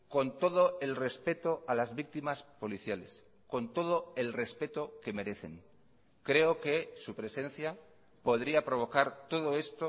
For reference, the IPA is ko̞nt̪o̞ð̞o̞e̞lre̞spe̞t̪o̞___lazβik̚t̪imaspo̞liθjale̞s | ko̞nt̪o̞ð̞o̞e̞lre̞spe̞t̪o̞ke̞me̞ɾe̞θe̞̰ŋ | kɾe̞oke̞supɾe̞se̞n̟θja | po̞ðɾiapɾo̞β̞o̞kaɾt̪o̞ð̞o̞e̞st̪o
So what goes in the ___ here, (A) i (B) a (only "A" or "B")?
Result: B